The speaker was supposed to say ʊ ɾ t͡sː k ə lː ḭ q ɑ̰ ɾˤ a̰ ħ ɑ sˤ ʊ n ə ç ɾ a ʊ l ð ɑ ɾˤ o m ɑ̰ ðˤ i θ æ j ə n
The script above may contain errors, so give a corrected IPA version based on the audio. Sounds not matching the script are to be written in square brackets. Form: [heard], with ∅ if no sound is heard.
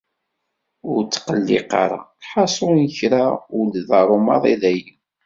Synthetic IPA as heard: ʊ ɾ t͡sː [q] ə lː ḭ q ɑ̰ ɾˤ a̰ ħ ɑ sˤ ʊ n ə ç ɾ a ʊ l ð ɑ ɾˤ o m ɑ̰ ðˤ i [ð] æ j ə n